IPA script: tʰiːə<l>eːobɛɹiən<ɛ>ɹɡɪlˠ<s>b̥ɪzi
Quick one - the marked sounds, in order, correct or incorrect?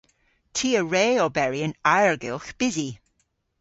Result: incorrect: ɹ, incorrect: a, incorrect: x

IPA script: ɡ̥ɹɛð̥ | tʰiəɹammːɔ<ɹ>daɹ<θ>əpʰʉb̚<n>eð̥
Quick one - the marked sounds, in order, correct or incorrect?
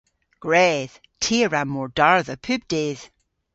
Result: correct, incorrect: ð, incorrect: d

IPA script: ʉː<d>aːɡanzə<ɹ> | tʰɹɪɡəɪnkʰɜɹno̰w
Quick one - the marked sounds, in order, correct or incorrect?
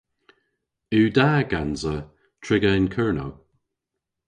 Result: correct, incorrect: none

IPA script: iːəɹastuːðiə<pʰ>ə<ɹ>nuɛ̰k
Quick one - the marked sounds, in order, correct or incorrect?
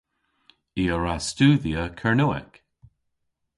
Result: incorrect: kʰ, correct

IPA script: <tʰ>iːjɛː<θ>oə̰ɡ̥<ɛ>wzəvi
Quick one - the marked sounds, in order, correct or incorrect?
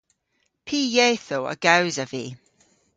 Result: incorrect: pʰ, correct, incorrect: a

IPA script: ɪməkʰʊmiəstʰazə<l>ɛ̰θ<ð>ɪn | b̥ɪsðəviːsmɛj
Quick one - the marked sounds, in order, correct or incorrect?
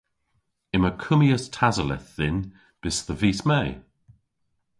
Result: correct, correct

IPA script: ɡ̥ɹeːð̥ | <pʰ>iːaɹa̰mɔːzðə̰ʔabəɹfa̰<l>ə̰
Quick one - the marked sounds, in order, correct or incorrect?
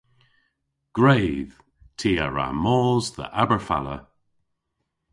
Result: incorrect: tʰ, correct

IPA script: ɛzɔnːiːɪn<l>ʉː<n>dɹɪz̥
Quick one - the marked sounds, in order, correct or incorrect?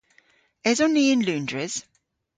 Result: correct, correct

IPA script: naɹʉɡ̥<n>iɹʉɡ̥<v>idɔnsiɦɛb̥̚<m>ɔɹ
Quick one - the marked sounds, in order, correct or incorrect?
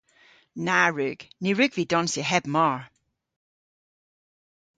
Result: correct, correct, correct

